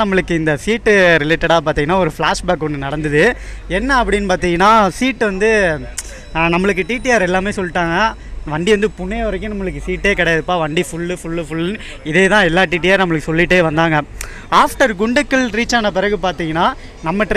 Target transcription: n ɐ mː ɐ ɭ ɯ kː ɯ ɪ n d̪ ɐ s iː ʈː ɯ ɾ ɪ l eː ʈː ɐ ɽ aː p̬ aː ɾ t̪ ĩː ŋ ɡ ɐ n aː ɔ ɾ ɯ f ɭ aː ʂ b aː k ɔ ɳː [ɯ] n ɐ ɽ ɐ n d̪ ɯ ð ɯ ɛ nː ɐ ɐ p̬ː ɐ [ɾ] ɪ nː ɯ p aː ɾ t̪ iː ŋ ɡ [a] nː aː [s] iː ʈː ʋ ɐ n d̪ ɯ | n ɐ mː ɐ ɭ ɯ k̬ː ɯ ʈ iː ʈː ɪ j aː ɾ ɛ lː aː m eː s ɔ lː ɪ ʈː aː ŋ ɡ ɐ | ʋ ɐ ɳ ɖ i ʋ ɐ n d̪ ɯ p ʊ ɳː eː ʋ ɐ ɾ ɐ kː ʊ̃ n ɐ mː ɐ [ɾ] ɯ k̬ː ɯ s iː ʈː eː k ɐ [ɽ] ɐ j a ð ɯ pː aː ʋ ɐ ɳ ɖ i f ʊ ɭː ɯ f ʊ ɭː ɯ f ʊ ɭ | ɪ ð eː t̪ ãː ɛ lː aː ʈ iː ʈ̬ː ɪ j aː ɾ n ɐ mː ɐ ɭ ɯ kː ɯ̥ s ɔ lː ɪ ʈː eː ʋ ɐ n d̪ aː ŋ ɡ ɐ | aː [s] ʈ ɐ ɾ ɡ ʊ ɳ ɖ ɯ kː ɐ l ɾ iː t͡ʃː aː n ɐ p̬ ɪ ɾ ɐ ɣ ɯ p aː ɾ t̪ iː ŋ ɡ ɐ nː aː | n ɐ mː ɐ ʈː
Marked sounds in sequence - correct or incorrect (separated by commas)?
correct, incorrect, incorrect, correct, incorrect, correct, incorrect